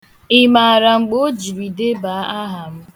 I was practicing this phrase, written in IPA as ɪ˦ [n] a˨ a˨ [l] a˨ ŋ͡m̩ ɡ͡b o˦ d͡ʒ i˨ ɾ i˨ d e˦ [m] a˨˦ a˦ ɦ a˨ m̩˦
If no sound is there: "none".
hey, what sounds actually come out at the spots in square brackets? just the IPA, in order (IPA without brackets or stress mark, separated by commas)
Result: m, ɾ, b